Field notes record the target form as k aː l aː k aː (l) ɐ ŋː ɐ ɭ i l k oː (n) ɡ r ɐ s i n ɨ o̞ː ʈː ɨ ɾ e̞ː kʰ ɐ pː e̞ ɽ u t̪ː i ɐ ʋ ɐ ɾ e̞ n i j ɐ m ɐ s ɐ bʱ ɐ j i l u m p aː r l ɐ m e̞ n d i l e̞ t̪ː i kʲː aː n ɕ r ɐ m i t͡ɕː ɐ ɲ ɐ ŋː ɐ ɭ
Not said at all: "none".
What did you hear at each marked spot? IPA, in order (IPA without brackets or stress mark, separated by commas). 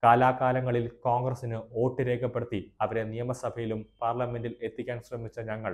l, ŋ